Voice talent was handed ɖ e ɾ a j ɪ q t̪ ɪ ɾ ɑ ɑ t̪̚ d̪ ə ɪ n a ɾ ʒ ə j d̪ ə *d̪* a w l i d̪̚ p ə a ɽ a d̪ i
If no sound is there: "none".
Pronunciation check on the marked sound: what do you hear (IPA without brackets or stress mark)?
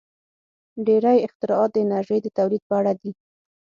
t̪